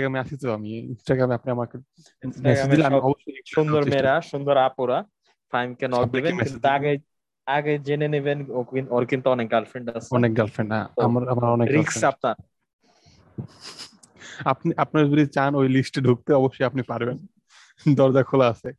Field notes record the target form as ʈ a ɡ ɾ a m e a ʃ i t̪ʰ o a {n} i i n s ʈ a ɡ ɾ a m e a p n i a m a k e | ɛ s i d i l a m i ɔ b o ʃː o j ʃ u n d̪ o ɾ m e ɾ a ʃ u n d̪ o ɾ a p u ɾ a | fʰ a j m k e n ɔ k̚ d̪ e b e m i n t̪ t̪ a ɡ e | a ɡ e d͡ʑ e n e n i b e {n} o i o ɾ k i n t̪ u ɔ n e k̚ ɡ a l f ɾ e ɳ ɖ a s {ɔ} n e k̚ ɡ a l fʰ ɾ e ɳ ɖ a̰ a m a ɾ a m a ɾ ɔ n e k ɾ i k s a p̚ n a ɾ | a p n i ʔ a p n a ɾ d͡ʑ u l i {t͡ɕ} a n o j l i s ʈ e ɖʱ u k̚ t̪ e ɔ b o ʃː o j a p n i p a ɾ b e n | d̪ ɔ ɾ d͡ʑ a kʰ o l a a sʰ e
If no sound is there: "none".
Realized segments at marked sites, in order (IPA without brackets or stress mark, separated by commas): m, n, ɔ, t͡ɕ